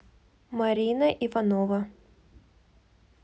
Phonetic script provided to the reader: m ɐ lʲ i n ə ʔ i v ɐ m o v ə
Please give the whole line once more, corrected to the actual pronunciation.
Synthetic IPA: m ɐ ɾʲ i n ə ʔ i v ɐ n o v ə